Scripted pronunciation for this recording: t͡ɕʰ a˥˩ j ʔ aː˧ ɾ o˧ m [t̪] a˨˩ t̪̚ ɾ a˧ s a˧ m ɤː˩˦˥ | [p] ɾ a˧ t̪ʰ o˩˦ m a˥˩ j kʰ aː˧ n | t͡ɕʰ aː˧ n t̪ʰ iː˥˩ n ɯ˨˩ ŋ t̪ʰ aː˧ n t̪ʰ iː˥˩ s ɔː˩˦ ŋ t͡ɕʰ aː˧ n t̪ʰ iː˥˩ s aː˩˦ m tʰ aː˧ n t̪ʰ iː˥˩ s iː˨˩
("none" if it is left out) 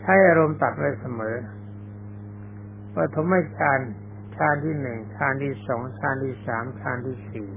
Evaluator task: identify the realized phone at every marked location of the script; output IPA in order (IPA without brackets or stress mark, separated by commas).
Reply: t̪, p